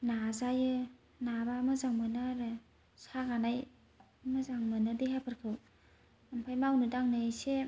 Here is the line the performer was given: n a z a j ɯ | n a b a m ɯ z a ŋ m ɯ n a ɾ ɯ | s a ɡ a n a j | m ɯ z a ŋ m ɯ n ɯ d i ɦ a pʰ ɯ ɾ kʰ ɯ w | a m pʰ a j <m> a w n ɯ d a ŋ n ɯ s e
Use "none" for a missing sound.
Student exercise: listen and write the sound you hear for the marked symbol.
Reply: m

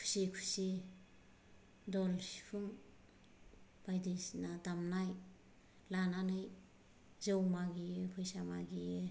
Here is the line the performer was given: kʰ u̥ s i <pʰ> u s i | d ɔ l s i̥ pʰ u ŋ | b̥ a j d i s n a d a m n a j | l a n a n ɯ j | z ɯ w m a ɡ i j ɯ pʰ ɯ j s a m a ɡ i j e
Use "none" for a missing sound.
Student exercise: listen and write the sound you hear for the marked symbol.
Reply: kʰ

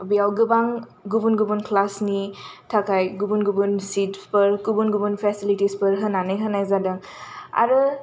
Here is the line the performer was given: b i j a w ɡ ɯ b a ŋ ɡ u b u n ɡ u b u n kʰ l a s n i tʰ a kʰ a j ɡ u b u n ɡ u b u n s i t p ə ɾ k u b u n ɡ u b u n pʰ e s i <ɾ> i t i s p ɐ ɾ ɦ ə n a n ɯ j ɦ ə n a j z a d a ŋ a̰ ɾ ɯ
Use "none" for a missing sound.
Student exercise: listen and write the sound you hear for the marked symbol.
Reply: l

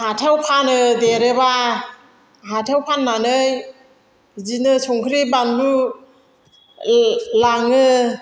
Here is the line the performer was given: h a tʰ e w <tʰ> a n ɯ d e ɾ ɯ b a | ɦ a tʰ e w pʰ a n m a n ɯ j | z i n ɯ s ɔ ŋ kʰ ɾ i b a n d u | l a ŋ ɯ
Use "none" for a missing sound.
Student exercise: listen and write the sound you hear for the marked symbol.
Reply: pʰ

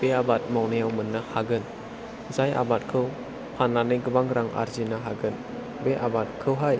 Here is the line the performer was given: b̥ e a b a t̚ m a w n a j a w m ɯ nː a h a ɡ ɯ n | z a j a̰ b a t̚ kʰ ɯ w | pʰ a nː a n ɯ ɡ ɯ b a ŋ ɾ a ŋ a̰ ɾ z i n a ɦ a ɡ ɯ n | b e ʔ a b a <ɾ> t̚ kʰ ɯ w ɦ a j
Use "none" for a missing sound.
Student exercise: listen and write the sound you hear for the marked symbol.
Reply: none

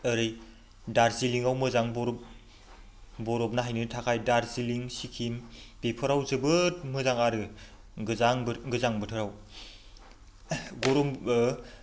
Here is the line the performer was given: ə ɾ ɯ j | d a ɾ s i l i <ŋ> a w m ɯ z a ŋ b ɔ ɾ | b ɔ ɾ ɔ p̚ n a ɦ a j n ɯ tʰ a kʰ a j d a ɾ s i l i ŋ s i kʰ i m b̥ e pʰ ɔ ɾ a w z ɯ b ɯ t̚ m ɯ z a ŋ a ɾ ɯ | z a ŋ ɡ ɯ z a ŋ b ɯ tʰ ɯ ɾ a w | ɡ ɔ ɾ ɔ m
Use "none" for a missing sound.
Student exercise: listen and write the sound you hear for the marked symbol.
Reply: ŋ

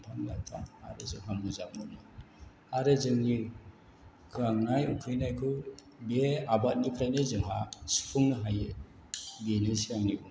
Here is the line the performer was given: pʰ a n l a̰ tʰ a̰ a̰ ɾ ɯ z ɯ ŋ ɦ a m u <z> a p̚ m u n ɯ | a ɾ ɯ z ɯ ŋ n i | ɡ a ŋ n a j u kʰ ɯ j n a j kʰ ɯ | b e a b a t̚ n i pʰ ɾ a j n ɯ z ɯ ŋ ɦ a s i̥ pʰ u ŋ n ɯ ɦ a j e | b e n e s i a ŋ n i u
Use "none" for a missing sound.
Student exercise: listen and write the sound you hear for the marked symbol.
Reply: z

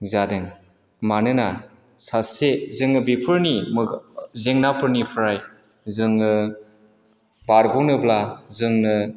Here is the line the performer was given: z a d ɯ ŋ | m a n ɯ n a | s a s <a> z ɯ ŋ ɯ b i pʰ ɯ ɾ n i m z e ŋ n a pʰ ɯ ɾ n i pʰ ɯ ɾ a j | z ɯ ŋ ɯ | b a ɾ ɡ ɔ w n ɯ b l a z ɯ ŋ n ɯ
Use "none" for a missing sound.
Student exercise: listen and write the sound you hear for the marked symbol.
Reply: e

